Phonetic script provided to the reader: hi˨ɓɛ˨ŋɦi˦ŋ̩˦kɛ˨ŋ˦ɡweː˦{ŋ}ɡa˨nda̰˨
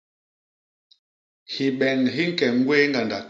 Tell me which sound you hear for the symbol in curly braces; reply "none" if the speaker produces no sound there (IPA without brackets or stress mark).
ŋ